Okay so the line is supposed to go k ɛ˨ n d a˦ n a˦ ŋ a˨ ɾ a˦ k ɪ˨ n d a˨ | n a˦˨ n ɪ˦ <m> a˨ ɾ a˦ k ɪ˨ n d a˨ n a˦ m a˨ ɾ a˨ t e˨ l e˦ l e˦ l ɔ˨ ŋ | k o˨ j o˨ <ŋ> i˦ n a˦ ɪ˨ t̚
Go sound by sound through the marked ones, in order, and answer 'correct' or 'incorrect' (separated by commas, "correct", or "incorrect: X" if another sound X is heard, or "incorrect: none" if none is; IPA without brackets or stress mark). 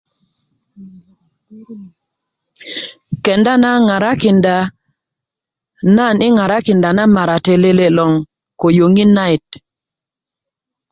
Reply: incorrect: ŋ, correct